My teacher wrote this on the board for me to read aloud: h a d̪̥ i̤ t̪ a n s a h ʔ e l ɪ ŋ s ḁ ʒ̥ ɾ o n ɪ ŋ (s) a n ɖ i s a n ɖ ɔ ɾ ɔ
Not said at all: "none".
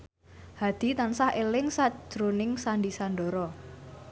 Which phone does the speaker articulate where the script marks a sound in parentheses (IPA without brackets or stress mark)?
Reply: s